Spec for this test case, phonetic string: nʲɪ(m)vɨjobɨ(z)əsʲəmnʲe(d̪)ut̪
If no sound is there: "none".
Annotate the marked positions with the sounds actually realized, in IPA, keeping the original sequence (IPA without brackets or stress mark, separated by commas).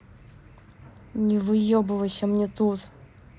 none, v, t̪